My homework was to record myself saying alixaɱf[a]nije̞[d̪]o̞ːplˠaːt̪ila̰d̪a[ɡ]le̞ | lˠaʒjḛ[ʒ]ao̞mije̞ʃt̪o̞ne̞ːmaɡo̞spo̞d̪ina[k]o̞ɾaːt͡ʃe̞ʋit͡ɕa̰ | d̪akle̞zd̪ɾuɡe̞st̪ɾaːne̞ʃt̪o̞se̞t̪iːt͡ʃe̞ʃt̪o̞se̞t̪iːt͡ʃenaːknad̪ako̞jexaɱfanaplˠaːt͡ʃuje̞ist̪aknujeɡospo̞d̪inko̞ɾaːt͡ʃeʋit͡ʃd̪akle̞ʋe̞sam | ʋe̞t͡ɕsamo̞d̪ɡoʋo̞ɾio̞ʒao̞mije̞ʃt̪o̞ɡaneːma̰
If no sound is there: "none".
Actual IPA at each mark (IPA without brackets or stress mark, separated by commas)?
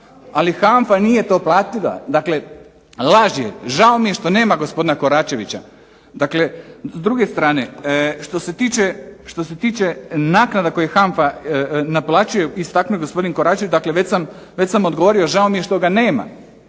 a, t̪, k, ʒ, k